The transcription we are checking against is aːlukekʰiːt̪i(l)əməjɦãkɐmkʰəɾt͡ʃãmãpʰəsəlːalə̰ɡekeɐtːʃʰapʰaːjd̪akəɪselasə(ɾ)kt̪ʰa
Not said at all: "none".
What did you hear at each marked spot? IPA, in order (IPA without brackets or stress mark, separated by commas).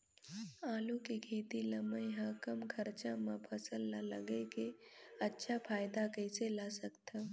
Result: l, none